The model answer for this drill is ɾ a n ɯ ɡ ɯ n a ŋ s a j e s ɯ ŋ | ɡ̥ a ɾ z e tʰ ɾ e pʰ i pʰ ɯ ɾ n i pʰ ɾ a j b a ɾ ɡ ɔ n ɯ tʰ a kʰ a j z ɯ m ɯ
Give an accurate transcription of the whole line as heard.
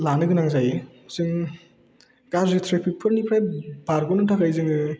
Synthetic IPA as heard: l a n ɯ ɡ ɯ n a ŋ z a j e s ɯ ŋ | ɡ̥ a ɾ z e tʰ ɾ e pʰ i pʰ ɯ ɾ n i pʰ ɾ a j b a ɾ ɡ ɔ n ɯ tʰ a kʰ a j z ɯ ŋ ɯ